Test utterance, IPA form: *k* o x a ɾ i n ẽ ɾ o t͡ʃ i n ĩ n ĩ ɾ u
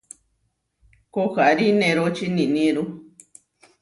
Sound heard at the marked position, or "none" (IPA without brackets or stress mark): k